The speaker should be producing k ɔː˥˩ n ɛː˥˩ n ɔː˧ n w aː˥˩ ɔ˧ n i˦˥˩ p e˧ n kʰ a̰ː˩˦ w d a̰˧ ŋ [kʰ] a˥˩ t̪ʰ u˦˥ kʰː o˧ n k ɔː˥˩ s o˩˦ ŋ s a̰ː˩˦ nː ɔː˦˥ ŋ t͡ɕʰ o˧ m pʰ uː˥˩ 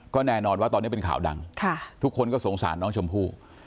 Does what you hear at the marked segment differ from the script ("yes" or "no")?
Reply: no